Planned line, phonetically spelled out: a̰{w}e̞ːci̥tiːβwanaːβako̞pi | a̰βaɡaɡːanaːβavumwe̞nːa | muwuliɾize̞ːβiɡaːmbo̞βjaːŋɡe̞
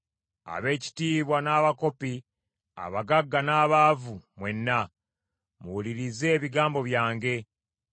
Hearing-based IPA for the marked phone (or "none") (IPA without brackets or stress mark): β